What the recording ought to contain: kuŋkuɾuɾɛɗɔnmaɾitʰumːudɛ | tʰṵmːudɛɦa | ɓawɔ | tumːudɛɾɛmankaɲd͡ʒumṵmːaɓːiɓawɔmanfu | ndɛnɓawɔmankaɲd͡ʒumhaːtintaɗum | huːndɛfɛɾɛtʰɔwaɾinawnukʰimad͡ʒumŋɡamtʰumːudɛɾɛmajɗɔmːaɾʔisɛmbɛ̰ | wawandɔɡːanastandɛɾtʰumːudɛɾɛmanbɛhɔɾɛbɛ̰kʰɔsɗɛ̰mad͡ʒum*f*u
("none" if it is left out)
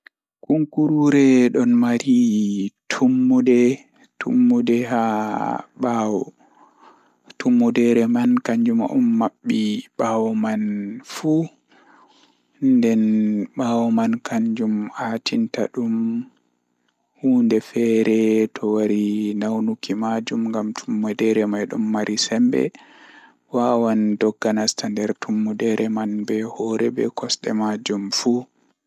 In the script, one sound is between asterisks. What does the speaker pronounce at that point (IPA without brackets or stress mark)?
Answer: f